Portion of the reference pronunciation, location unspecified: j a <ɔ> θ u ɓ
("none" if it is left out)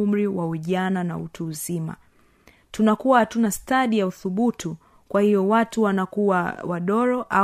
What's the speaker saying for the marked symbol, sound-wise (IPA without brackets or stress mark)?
u